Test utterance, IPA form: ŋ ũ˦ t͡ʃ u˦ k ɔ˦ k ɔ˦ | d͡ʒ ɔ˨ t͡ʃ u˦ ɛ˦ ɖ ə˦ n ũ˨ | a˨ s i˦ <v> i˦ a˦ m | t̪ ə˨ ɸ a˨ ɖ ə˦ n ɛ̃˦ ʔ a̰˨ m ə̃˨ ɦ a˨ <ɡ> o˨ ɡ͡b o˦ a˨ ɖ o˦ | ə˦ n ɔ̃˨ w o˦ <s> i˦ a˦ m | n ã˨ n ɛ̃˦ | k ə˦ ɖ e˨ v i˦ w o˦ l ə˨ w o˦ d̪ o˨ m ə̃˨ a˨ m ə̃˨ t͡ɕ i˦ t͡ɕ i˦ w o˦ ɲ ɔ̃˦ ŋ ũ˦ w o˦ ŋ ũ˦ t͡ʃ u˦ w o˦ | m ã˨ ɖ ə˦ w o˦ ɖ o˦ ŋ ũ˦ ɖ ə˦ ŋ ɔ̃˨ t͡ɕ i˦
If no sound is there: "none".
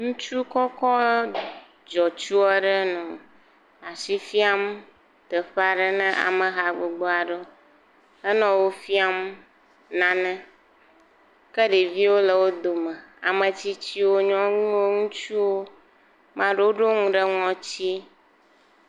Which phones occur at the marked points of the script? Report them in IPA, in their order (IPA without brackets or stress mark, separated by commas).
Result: f, ɡ͡b, f